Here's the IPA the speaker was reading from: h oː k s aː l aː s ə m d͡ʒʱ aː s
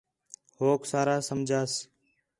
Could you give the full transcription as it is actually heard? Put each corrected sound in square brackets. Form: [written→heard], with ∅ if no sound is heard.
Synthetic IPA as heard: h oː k s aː [l→ɾ] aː s ə m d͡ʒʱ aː s

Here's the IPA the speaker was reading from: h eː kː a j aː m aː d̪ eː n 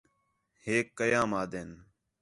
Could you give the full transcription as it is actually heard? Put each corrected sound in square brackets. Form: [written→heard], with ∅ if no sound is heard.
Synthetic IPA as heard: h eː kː [a→ə] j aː m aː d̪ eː n

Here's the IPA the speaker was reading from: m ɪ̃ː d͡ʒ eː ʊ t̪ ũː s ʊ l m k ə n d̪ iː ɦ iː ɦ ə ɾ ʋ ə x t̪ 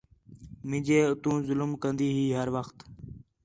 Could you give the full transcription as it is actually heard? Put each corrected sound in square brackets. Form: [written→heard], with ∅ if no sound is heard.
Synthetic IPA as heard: m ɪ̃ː d͡ʒ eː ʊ t̪ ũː [s→z] ʊ l m k ə n d̪ iː ɦ iː ɦ ə ɾ ʋ ə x t̪

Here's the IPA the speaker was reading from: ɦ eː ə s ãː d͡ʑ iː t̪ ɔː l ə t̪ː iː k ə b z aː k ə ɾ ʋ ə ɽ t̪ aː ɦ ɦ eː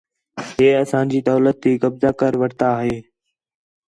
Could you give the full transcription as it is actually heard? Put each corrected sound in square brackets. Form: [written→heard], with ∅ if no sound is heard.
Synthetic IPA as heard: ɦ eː ə s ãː d͡ʑ iː [t̪→d̪] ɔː l ə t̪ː iː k ə b z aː k ə ɾ ʋ ə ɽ t̪ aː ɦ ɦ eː

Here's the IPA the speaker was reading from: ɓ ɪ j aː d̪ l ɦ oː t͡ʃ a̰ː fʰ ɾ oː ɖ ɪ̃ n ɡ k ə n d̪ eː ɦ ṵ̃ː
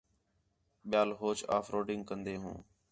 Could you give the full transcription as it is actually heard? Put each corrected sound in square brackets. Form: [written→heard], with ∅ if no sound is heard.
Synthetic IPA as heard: ɓ ɪ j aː [d̪→∅] l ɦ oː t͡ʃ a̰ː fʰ ɾ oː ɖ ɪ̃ [n→ŋ] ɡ k ə n d̪ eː ɦ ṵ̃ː

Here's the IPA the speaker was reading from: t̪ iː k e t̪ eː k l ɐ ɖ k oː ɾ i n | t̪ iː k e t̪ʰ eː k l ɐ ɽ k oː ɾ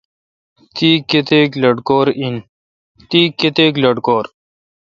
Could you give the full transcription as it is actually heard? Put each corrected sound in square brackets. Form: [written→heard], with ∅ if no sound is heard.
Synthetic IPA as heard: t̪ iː k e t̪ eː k l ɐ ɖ k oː ɾ i n | t̪ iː k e [t̪ʰ→t̪] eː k l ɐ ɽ k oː ɾ

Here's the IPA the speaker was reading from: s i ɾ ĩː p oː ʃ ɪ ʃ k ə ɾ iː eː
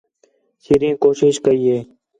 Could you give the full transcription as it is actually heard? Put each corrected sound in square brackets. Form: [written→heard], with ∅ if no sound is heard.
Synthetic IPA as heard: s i ɾ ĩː [p→k] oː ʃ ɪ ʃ k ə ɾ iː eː

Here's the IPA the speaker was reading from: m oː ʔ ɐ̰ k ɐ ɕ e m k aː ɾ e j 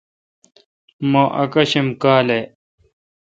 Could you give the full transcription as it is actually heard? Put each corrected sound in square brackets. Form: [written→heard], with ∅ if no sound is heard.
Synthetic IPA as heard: m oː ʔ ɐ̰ k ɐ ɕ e m k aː [ɾ→l] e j

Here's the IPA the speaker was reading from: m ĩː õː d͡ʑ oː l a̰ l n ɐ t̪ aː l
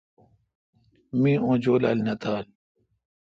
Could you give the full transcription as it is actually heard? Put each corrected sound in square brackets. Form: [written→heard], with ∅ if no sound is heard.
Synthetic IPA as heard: m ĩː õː d͡ʑ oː l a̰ l n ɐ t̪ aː l

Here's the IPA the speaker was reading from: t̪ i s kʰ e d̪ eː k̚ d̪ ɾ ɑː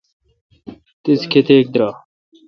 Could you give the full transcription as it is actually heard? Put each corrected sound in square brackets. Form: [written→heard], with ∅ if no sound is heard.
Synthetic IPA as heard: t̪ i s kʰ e [d̪→t̪] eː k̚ d̪ ɾ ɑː

